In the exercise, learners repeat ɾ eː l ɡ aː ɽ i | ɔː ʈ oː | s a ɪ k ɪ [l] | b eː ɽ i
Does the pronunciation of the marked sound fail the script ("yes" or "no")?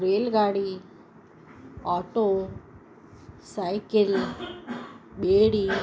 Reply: no